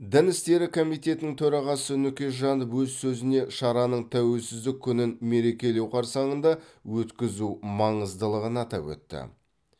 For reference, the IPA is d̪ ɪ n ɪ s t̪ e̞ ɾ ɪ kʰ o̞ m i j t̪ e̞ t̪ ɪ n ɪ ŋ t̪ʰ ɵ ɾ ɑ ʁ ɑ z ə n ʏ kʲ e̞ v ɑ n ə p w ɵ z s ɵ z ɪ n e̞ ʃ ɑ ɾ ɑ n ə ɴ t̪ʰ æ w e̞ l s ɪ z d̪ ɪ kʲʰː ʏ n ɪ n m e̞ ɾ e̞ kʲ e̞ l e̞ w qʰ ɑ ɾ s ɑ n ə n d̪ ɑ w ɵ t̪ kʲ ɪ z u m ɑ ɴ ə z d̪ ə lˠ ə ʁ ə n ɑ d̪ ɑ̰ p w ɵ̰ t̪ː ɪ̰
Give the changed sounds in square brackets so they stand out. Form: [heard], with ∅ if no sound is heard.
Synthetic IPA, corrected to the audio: d̪ ɪ n ɪ s t̪ e̞ ɾ ɪ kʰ o̞ m i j t̪ e̞ t̪ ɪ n ɪ ŋ t̪ʰ ɵ ɾ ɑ ʁ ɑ [s] ə n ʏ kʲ e̞ [ʒ] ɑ n ə p w ɵ z s ɵ z ɪ n e̞ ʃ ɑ ɾ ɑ n ə ɴ t̪ʰ æ w e̞ l s ɪ z d̪ ɪ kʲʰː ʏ n ɪ n m e̞ ɾ e̞ kʲ e̞ l e̞ w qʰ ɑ ɾ s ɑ [ɴ] ə n d̪ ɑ w ɵ t̪ kʲ ɪ z u m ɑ ɴ ə z d̪ ə lˠ ə ʁ ə n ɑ [t̪] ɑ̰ p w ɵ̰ t̪ː ɪ̰

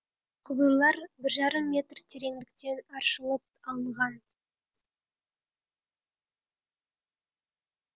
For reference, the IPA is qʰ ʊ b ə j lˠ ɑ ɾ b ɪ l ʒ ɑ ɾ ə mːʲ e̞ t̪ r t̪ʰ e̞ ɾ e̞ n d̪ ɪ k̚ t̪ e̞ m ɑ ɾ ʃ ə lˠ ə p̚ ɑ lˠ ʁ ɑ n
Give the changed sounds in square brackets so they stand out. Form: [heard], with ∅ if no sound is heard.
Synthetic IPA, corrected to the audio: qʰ ʊ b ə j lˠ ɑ ɾ b ɪ [ɾ] ʒ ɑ ɾ ə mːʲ e̞ t̪ r t̪ʰ e̞ ɾ e̞ [ŋ] d̪ ɪ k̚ t̪ e̞ [n] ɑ ɾ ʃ ə lˠ ə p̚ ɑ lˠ ʁ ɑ n

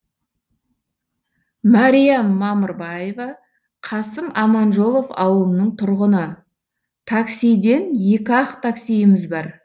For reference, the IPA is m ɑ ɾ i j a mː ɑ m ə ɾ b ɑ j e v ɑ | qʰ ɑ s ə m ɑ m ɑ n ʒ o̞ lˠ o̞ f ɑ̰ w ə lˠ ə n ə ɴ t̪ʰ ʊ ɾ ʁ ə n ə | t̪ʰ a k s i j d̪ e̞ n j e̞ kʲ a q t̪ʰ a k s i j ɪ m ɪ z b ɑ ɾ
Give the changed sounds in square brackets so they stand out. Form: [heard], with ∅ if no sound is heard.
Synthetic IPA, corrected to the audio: m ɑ ɾ i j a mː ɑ m ə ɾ b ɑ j e v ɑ | qʰ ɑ s ə m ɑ m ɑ n ʒ o̞ lˠ o̞ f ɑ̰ w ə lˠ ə n ə ɴ t̪ʰ ʊ ɾ ʁ ə n ə | t̪ʰ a k s i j d̪ e̞ n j e̞ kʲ [ɑ] q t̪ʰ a k s i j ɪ m ɪ z b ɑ ɾ

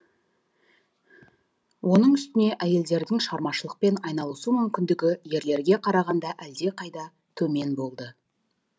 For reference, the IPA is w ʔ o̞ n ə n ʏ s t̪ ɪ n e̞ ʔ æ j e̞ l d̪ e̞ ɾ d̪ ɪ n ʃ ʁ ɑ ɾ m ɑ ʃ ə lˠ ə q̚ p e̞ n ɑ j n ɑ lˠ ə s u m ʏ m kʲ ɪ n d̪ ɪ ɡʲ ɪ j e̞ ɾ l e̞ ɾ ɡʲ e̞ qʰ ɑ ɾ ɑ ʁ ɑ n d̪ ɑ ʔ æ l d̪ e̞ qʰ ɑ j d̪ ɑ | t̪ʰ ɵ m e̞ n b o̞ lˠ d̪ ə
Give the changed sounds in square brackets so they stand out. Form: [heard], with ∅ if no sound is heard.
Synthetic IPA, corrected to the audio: w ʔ o̞ n ə [ɴ] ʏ s t̪ ɪ n e̞ ʔ æ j e̞ l d̪ e̞ ɾ d̪ ɪ [ŋ] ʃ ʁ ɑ ɾ m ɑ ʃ ə lˠ ə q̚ p e̞ n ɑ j n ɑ lˠ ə s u m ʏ m kʲ ɪ n d̪ ɪ ɡʲ ɪ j e̞ ɾ l e̞ ɾ ɡʲ e̞ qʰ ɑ ɾ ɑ ʁ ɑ n d̪ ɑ ʔ æ l d̪ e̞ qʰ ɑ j d̪ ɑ | t̪ʰ ɵ m e̞ n b o̞ lˠ d̪ ə

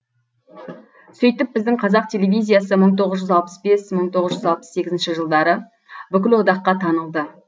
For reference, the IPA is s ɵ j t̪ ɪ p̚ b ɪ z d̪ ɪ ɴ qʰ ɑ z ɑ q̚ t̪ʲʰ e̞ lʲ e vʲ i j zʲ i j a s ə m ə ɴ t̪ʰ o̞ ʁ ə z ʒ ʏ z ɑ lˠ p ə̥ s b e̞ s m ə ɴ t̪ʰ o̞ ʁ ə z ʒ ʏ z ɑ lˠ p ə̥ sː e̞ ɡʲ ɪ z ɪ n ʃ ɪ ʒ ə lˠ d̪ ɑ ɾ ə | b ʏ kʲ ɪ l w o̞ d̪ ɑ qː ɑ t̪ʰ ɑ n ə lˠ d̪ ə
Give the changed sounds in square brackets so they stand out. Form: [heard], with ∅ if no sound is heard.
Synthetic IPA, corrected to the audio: s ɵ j t̪ ɪ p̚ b ɪ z d̪ ɪ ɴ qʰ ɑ z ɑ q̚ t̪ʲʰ e̞ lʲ e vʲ i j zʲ i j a s ə m ə ɴ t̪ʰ o̞ ʁ ə z ʒ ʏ z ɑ lˠ p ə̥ s b e̞ s m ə ɴ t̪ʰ o̞ ʁ ə z ʒ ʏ z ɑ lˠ p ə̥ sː e̞ ɡʲ ɪ z ɪ n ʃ ɪ ʒ ə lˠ d̪ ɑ ɾ ə | b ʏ kʲ ɪ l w o̞ d̪ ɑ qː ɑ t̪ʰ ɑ n ə lˠ d̪ ə

